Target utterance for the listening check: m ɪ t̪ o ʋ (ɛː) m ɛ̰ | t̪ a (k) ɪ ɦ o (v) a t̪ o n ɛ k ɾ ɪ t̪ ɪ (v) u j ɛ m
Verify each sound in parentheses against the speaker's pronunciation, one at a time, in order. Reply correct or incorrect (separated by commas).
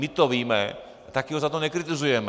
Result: incorrect, correct, incorrect, incorrect